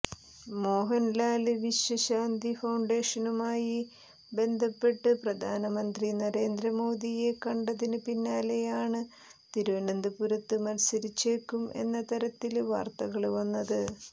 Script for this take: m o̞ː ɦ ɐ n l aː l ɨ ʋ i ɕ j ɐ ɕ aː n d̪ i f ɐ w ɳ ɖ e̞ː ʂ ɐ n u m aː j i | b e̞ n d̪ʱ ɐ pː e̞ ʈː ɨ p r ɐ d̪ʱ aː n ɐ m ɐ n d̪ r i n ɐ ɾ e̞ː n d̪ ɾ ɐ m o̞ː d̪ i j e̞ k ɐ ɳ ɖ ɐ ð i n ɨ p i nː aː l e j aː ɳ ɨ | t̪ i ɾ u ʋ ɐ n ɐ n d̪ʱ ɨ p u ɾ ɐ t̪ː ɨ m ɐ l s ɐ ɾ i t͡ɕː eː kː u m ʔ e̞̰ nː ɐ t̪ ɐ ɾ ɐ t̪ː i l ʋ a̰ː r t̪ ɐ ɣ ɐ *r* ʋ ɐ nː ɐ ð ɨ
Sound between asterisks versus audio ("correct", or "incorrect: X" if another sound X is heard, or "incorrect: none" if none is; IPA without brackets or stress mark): incorrect: ɭ